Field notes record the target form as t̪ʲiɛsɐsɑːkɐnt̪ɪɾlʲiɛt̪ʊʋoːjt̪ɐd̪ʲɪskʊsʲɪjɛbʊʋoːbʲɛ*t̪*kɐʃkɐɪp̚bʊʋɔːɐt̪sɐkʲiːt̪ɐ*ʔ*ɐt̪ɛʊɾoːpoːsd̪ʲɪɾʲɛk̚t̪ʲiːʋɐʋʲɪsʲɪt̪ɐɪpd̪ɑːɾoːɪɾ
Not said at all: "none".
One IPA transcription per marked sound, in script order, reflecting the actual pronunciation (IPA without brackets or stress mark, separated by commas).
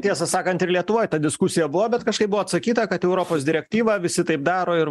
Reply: t̪, k